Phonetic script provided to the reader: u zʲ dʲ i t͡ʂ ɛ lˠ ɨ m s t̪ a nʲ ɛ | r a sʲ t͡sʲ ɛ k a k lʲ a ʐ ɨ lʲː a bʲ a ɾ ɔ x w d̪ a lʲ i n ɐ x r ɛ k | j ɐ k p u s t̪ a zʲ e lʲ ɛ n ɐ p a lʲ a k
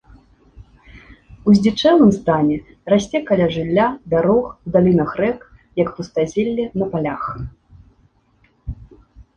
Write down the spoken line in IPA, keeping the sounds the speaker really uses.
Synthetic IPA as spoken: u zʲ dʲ i t͡ʂ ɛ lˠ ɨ m s t̪ a nʲ ɛ | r a sʲ t͡sʲ ɛ k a lʲ a ʐ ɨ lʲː a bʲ a ɾ ɔ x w d̪ a lʲ i n ɐ x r ɛ k | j ɐ k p u s t̪ a zʲ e lʲː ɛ n ɐ p a lʲ a x